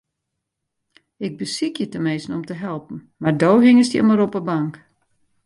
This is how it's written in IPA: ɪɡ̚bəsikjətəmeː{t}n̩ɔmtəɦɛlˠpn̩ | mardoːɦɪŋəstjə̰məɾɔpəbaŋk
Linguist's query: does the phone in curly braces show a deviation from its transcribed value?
yes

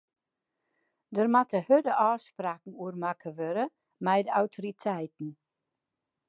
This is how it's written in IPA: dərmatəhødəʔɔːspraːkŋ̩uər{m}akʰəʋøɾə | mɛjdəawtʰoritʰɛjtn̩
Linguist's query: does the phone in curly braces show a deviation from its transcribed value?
no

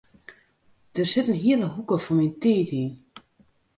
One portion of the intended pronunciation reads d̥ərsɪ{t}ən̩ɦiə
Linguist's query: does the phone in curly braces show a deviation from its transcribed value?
no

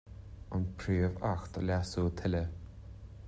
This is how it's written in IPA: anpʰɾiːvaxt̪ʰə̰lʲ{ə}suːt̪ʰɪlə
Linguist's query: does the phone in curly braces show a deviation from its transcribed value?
yes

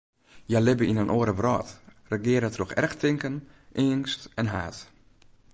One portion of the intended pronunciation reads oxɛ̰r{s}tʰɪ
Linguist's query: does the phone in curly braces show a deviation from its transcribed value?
yes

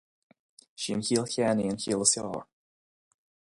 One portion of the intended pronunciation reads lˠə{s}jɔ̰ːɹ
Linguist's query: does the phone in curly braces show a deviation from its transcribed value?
no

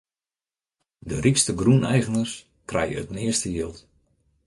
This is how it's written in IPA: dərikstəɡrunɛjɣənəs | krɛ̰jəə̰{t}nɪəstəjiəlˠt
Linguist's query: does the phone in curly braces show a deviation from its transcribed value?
no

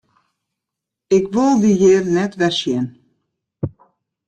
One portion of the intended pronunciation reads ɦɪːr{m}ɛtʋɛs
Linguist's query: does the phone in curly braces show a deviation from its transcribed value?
yes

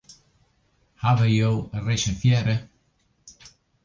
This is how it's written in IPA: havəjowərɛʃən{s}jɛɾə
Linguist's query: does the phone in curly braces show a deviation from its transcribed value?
yes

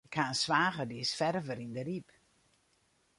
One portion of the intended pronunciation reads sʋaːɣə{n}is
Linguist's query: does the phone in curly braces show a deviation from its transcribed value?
yes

